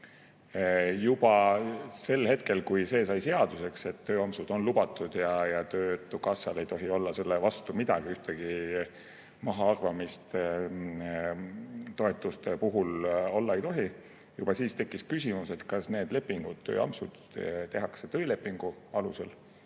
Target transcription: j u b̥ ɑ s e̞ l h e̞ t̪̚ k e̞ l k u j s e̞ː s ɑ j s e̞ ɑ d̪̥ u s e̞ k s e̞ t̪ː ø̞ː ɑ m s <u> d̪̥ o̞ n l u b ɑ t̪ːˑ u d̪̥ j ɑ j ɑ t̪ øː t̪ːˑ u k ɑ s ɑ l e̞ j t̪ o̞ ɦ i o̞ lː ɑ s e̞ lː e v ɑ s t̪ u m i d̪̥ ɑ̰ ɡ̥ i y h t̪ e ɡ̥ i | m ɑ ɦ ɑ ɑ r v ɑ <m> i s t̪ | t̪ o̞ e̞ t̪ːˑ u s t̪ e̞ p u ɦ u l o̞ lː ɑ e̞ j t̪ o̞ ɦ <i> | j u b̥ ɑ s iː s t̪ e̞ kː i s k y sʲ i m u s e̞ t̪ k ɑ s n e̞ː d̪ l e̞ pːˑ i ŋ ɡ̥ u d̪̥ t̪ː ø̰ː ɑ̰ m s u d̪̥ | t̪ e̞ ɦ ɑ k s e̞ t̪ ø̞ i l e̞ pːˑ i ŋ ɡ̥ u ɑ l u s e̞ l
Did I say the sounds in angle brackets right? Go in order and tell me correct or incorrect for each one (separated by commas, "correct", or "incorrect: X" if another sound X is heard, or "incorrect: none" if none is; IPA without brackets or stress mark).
correct, correct, correct